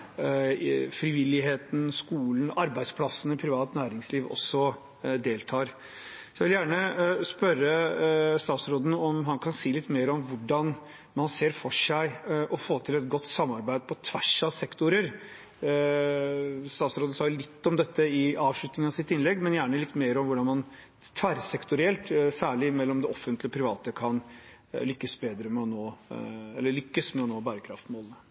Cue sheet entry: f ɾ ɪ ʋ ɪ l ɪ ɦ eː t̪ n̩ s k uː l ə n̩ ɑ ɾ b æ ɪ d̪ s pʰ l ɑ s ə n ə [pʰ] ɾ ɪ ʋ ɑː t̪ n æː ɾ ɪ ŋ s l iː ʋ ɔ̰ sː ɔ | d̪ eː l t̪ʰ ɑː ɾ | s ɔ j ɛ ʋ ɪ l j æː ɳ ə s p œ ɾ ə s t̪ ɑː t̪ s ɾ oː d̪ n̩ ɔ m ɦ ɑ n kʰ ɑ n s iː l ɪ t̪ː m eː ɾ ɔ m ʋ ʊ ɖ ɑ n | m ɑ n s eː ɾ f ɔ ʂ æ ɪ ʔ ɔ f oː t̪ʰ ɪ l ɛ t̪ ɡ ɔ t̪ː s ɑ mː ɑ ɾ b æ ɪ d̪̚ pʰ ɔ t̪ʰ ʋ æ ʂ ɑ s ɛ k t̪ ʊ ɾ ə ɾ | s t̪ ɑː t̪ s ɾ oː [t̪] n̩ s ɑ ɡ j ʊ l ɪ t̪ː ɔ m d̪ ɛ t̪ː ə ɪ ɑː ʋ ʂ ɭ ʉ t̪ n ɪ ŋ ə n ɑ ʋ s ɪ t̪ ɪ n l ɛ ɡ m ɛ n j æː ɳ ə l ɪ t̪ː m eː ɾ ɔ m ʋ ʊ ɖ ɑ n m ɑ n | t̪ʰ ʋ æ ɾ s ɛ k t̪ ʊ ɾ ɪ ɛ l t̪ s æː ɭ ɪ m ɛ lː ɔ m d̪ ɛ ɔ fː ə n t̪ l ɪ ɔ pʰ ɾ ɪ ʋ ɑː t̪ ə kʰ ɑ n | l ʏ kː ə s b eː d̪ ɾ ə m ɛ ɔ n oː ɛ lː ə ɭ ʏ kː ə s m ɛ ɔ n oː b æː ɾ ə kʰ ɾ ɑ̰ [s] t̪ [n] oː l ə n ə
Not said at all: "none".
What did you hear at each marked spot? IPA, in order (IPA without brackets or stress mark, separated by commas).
pʰ, d̪, f, m